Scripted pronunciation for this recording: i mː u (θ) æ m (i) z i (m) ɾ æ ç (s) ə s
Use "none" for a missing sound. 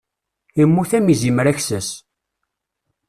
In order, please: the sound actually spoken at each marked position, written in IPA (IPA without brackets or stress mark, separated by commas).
θ, i, m, s